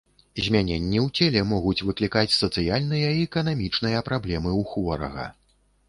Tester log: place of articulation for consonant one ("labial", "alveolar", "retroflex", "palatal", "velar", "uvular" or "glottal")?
alveolar